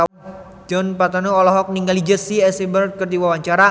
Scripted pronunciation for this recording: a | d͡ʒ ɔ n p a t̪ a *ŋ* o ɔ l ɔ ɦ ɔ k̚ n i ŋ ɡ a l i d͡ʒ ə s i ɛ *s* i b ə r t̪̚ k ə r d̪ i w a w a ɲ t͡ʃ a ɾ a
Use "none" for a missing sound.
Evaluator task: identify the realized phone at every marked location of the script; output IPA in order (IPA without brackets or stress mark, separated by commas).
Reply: n, s